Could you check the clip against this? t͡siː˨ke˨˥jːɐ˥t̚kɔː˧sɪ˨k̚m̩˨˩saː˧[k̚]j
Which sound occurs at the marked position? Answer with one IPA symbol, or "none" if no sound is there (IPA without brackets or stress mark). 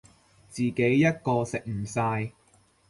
none